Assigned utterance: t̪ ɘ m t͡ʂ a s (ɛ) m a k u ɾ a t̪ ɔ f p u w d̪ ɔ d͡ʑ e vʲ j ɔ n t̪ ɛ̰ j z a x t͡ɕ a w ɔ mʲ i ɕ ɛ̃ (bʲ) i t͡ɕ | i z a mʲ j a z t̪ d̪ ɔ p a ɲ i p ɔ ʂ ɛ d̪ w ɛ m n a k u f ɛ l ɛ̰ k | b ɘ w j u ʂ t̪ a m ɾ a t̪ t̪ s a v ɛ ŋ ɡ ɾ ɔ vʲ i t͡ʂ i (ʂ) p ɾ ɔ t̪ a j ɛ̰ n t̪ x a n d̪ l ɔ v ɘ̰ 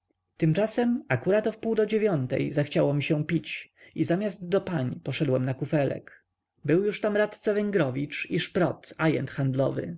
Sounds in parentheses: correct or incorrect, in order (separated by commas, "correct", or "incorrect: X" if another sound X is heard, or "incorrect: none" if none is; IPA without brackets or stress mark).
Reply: correct, incorrect: pʲ, correct